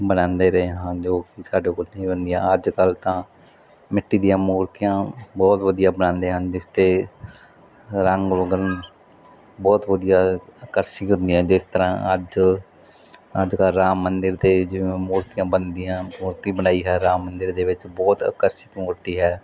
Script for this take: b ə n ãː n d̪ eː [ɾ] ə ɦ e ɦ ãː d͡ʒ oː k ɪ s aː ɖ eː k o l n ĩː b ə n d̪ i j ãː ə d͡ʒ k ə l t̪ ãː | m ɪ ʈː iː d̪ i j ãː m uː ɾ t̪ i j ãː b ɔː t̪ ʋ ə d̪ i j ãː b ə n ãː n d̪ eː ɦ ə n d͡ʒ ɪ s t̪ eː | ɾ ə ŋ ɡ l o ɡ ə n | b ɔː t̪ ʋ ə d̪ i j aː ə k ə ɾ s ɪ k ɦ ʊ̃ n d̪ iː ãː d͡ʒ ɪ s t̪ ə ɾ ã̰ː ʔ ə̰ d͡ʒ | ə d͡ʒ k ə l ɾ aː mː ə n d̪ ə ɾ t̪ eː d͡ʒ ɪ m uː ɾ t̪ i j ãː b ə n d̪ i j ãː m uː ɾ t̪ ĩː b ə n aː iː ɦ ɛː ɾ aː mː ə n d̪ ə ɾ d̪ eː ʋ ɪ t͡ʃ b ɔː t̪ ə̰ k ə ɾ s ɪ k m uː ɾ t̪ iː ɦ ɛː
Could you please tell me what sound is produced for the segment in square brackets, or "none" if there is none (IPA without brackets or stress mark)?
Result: ɾ